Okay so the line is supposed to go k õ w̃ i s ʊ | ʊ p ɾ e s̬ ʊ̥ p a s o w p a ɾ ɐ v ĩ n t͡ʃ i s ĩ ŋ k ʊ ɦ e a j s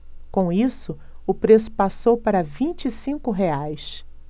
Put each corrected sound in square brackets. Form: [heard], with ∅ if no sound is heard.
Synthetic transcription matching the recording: k õ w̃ i s ʊ | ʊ p ɾ e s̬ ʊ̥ p a s o w p a ɾ ɐ v ĩ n t͡ʃ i s ĩ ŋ k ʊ ɦ e a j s